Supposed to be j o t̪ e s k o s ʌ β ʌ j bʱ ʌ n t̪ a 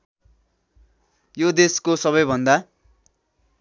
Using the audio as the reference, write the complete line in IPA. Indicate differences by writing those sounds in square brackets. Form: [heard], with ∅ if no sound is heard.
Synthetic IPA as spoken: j o [d̪] e s k o s ʌ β ʌ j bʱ ʌ n [d̪] a

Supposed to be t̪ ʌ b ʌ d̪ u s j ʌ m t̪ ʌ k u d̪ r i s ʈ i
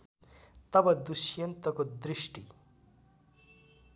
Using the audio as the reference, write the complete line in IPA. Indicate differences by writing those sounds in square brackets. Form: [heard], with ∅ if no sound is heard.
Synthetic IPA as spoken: t̪ ʌ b ʌ d̪ u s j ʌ [n] t̪ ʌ k [o] d̪ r i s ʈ i

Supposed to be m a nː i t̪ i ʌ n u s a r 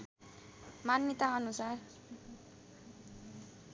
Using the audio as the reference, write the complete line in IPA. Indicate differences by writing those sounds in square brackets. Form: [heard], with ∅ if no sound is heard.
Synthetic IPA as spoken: m a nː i t̪ [a] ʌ n u s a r

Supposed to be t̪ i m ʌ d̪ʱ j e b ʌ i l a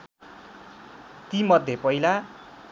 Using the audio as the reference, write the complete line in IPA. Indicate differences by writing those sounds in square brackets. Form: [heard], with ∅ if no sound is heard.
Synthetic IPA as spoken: t̪ i m ʌ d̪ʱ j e [p] ʌ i l a

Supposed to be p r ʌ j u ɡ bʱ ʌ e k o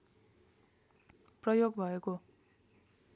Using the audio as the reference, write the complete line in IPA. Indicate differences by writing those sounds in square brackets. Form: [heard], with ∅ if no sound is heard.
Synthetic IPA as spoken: p r ʌ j [o] ɡ bʱ ʌ e k o

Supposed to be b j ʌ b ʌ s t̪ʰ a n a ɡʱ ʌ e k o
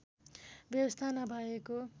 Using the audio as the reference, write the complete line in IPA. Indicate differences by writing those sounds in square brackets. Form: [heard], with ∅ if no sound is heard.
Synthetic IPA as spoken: b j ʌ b ʌ s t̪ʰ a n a [bʱ] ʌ e k o

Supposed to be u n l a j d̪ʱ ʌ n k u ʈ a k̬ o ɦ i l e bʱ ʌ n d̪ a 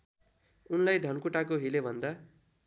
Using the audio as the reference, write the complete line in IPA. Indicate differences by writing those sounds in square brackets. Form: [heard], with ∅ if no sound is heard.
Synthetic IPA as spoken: u n l a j d̪ʱ ʌ n k u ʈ a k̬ o ɦ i l e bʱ ʌ n d̪ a

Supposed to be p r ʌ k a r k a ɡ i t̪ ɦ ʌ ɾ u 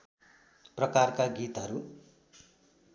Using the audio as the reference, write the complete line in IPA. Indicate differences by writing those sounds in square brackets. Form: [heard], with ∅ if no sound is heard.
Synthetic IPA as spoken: p r ʌ k a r k a ɡ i t̪ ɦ ʌ ɾ u

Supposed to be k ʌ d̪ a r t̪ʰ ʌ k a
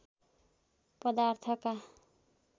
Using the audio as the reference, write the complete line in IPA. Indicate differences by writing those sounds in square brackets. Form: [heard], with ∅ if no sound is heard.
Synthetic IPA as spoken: [p] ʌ d̪ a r t̪ʰ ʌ k a

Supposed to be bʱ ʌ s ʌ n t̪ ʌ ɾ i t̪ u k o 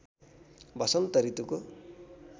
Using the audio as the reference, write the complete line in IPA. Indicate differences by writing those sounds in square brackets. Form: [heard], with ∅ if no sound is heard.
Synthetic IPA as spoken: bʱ ʌ s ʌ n t̪ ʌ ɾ i t̪ u k o

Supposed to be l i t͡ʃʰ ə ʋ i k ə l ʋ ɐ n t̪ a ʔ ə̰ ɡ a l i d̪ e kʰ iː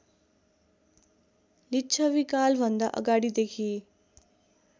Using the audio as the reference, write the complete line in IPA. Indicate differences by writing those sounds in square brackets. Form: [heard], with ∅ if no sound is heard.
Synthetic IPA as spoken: l i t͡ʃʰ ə ʋ i k [a] l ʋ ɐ n [d̪] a ʔ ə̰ ɡ a [ɽ] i d̪ e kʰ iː

